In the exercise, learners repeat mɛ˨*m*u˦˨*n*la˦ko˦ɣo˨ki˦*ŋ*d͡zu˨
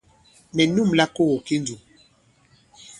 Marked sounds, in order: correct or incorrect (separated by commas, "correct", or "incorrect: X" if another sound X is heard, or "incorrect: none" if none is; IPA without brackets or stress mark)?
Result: incorrect: n, incorrect: m, incorrect: n